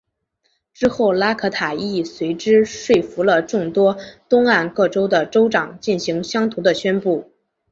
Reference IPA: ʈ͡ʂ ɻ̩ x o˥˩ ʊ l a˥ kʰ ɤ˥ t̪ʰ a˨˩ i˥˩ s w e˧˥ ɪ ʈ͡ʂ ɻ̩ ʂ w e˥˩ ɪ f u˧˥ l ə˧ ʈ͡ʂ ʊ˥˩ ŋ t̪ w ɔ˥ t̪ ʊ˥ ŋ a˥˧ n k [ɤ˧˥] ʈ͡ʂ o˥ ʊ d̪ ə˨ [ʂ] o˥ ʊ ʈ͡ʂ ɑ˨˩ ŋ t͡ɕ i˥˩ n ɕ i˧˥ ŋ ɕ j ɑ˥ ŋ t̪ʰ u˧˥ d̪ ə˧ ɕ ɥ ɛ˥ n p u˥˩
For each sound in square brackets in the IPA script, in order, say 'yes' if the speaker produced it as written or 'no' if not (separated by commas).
no, no